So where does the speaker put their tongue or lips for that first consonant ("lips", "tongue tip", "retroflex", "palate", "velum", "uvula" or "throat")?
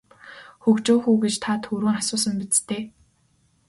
velum